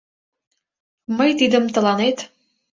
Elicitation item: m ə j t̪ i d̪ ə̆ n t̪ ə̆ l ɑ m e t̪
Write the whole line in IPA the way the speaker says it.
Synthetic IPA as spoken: m ə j t̪ i d̪ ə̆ m t̪ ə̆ l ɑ n e t̪